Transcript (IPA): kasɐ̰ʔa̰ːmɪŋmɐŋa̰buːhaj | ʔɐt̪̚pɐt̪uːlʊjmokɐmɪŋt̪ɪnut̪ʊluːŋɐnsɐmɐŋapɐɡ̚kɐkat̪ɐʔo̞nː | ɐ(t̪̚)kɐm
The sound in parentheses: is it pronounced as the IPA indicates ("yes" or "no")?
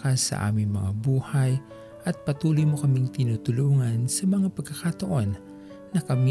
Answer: no